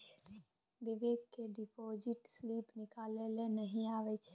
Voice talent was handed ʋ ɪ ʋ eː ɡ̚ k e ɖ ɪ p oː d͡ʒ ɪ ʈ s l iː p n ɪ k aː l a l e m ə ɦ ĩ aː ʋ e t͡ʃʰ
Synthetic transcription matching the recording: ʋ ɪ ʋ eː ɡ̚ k e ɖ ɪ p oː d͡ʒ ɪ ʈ s l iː p n ɪ k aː l e l e n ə ɦ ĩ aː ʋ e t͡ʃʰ